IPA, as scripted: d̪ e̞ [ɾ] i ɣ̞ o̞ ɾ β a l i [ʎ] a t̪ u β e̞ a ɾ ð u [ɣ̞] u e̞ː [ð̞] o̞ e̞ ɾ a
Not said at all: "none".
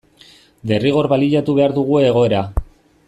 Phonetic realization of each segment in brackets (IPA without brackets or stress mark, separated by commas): r, ʎ, ɣ̞, ɣ̞